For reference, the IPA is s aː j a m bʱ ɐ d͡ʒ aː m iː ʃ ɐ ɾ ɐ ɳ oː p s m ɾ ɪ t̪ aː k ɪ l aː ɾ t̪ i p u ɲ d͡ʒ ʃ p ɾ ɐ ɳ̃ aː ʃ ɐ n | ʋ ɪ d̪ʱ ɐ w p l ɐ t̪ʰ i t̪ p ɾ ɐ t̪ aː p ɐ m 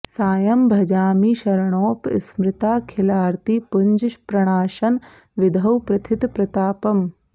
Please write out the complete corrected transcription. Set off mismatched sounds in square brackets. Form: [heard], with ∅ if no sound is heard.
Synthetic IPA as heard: s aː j [ɐ] m bʱ ɐ d͡ʒ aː m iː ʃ ɐ ɾ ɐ ɳ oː p s m ɾ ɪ t̪ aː [kʰ] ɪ l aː ɾ t̪ i p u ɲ d͡ʒ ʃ p ɾ ɐ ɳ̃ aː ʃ ɐ n | ʋ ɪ d̪ʱ ɐ w p [ɾ] ɐ t̪ʰ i t̪ p ɾ ɐ t̪ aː p ɐ m